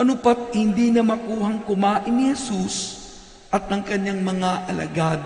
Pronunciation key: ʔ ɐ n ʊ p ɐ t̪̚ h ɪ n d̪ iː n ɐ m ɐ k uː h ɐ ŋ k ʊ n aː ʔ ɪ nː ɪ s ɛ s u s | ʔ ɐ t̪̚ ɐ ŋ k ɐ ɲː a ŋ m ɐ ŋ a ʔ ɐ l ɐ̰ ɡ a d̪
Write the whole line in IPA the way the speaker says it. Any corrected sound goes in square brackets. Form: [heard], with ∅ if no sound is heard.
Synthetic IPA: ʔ ɐ n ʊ p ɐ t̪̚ h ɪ n d̪ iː n ɐ m ɐ k uː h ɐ ŋ k ʊ [m] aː ʔ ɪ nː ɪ [h] ɛ s u s | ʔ ɐ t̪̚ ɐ ŋ k ɐ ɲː a ŋ m ɐ ŋ a ʔ ɐ l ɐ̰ ɡ a d̪